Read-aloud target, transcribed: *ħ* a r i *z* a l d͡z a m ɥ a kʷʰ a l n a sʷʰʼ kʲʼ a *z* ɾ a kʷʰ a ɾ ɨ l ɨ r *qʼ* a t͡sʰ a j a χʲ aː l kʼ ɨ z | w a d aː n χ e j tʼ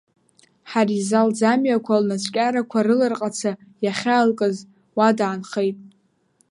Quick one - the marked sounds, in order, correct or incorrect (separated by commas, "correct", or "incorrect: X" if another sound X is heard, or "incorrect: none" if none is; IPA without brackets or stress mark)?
correct, correct, incorrect: none, correct